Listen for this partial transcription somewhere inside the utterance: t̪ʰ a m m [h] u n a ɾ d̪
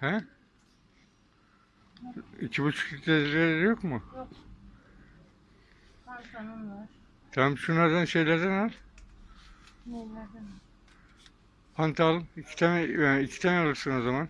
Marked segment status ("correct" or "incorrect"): incorrect